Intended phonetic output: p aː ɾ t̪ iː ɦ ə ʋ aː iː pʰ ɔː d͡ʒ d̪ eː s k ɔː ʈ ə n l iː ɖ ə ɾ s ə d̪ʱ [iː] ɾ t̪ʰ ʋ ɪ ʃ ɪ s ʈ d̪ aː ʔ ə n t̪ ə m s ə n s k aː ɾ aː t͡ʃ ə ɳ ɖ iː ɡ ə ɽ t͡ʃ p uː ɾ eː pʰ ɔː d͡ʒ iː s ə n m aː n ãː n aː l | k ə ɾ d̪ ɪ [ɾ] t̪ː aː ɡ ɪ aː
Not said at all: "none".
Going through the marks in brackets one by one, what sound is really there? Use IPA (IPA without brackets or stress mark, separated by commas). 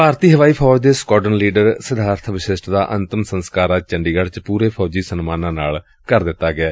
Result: aː, none